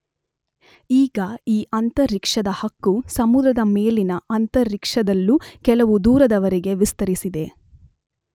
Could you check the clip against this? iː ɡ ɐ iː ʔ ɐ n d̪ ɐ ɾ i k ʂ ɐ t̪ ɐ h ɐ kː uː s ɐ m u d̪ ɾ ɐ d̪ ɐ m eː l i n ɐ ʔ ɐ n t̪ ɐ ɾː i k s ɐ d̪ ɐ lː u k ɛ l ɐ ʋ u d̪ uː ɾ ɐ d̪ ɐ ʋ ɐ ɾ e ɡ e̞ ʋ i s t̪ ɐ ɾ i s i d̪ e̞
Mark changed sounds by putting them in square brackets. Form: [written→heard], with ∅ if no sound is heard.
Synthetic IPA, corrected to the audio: iː ɡ ɐ iː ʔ ɐ n [d̪→t̪] ɐ ɾ i k ʂ ɐ [t̪→d̪] ɐ h ɐ kː [uː→u] s ɐ m u d̪ ɾ ɐ d̪ ɐ m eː l i n ɐ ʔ ɐ n t̪ ɐ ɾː i k [s→ʂ] ɐ d̪ ɐ lː u k ɛ l ɐ ʋ u d̪ uː ɾ ɐ d̪ ɐ ʋ ɐ ɾ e ɡ e̞ ʋ i s t̪ ɐ ɾ i s i d̪ e̞